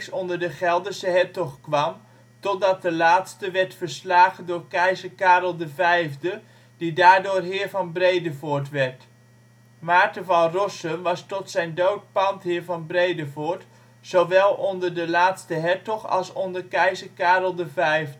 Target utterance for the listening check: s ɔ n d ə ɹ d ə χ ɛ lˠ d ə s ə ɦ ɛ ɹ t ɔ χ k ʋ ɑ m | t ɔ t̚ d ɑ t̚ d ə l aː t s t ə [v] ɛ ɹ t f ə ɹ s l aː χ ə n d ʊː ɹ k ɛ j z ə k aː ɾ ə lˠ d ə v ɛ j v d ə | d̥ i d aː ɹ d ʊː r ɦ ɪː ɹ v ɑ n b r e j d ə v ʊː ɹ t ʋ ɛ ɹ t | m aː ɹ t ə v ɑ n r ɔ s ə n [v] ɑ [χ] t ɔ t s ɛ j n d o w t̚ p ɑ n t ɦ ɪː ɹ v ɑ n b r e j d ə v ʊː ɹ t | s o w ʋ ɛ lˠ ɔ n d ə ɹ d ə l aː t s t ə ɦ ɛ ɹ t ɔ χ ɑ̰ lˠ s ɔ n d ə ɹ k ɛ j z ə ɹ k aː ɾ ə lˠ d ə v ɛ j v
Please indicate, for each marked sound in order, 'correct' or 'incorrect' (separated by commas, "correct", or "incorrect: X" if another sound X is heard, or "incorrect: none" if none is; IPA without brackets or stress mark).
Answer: incorrect: ʋ, incorrect: ʋ, incorrect: s